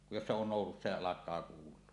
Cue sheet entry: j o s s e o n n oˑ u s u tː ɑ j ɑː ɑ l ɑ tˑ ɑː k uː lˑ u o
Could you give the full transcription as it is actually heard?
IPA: j o s s e o n n oˑ u s u sː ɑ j ɑ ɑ l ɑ kˑ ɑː k uː lˑ u o